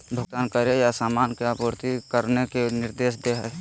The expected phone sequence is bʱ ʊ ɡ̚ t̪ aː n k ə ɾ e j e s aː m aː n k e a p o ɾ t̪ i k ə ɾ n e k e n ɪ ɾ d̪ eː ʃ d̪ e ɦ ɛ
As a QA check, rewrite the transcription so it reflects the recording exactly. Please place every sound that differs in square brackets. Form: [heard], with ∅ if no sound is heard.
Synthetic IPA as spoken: bʱ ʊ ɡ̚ t̪ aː n k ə ɾ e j [a] s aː m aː n k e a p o ɾ t̪ i k ə ɾ n e k e n ɪ ɾ d̪ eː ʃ d̪ e ɦ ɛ